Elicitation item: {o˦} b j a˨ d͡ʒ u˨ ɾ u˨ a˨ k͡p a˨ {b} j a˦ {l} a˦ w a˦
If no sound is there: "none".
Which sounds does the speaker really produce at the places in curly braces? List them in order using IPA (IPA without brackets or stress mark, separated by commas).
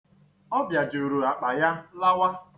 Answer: ɔ˦, none, l